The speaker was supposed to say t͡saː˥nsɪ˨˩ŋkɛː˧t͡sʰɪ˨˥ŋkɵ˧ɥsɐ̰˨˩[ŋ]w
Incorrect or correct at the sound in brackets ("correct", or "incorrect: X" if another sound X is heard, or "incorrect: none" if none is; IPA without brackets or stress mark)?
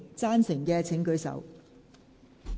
incorrect: none